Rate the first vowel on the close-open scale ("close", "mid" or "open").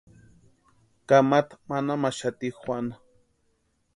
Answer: open